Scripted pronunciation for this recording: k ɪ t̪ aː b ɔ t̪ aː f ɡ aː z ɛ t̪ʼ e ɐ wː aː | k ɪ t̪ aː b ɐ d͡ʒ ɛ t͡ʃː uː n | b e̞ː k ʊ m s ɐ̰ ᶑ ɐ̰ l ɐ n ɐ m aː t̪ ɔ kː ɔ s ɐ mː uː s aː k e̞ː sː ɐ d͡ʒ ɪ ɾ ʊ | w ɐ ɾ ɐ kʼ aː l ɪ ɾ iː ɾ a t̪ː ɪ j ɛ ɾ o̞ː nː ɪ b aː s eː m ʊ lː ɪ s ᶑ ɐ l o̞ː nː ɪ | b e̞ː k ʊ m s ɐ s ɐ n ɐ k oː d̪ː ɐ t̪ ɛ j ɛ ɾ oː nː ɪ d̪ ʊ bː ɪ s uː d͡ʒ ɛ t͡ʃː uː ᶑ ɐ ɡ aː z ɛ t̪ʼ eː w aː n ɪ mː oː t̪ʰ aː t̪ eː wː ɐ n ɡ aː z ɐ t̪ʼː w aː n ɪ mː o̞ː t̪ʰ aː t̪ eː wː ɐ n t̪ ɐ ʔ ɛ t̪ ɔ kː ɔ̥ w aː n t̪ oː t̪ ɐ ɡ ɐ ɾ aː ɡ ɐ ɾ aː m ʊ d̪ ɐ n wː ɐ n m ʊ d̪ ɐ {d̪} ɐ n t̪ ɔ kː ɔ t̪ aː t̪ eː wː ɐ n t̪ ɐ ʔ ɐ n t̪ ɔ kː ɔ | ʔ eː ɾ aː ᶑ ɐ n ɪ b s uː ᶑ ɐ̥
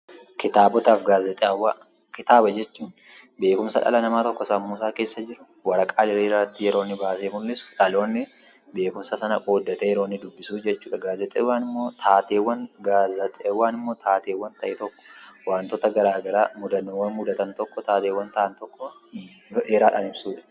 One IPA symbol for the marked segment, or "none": t̪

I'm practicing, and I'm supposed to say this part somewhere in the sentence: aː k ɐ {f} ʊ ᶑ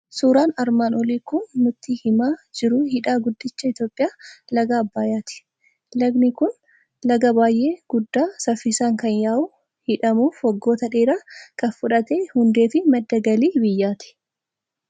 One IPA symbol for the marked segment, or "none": f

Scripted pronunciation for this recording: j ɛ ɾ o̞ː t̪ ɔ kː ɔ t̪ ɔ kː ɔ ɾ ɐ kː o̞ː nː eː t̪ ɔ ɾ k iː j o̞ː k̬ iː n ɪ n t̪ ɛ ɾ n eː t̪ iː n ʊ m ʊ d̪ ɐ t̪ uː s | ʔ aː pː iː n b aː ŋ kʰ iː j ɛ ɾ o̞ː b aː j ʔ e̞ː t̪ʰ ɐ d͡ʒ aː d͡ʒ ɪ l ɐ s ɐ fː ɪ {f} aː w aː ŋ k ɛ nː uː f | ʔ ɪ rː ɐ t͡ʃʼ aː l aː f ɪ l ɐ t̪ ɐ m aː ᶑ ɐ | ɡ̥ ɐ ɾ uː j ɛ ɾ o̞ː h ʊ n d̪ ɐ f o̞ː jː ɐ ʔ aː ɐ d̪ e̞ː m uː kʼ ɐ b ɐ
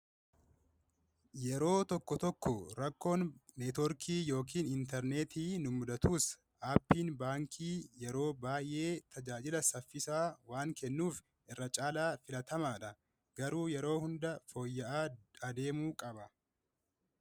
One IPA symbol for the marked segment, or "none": s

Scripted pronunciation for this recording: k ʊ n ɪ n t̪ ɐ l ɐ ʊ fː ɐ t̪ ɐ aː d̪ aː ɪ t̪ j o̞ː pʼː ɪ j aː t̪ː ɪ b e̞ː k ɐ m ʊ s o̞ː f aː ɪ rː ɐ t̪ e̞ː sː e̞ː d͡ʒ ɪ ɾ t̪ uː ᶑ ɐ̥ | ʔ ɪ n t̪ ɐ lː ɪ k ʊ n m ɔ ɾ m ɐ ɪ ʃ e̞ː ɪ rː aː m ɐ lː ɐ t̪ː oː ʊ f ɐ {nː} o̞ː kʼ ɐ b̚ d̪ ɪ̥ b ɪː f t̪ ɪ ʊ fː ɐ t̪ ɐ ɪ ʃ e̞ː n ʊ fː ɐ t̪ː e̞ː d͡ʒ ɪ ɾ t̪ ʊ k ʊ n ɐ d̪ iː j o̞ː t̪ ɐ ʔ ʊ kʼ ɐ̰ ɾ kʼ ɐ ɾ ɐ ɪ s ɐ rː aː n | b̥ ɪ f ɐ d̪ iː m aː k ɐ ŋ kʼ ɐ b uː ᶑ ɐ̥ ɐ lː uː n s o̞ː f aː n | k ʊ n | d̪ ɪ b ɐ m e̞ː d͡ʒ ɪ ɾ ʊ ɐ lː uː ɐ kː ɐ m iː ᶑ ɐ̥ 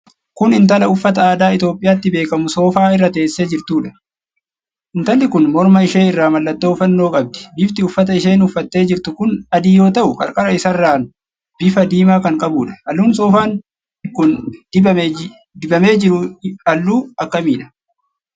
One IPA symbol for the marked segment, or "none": nː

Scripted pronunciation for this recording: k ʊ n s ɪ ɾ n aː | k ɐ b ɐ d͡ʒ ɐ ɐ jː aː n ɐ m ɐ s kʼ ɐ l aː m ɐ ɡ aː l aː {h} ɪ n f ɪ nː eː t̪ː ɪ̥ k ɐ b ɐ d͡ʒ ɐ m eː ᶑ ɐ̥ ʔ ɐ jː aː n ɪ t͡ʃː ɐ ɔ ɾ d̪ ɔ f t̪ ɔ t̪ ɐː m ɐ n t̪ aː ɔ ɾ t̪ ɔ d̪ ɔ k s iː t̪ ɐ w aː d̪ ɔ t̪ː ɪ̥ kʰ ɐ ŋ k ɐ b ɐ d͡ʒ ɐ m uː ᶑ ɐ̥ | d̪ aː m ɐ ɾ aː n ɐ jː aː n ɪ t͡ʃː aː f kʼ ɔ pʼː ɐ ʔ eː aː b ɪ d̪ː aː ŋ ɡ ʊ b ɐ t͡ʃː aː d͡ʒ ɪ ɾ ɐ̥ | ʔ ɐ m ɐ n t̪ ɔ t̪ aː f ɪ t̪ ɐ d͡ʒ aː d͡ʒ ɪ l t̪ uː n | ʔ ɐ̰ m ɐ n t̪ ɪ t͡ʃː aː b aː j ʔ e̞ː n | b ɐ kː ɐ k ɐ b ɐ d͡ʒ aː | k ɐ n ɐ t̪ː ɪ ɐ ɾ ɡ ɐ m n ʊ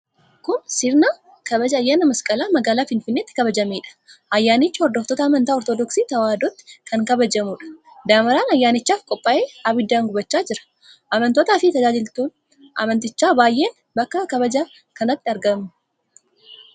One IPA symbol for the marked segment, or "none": f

